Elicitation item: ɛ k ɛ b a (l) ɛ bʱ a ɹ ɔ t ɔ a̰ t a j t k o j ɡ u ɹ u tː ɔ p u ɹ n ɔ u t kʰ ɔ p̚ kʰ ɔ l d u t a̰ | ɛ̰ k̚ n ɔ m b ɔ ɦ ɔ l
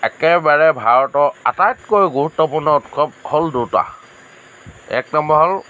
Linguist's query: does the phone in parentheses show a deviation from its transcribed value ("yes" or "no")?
yes